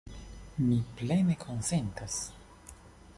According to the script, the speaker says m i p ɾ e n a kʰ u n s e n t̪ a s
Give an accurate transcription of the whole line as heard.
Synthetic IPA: m i p l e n e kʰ o n s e n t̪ a s